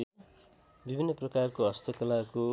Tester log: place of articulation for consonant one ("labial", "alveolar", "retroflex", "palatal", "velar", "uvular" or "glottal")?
labial